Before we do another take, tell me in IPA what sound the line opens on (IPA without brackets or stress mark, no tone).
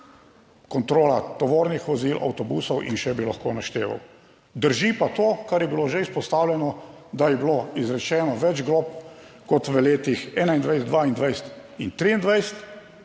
k